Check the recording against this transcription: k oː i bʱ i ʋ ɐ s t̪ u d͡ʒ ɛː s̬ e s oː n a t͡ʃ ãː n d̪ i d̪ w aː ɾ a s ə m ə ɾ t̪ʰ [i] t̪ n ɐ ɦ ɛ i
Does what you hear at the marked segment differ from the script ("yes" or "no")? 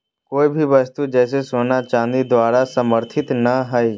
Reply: yes